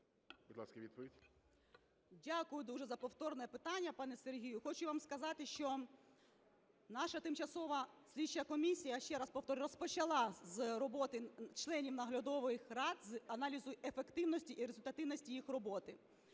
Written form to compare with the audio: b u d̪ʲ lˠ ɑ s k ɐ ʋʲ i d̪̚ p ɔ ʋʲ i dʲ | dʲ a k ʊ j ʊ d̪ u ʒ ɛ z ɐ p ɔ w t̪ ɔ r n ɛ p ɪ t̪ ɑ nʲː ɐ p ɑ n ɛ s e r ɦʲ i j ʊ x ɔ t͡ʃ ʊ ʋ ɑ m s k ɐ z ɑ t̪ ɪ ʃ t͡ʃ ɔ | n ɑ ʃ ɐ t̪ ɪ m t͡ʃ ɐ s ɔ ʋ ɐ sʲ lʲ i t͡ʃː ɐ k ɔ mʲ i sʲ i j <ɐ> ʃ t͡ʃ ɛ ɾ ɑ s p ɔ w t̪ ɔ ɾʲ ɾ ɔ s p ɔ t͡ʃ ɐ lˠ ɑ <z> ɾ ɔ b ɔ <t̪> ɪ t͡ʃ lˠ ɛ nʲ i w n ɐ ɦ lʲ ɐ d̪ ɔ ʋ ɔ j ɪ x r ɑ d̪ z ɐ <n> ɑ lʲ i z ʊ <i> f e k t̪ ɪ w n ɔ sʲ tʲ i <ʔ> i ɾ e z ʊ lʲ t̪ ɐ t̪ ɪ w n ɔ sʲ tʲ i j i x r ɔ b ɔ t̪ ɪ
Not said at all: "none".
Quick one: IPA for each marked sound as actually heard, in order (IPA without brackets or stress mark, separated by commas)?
ɐ, z, t̪, n, e, ʔ